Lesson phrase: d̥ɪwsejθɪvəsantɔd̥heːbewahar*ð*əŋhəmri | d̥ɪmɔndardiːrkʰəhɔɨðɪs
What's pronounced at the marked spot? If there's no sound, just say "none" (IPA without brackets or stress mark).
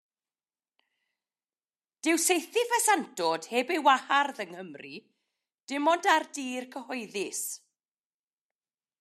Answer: ð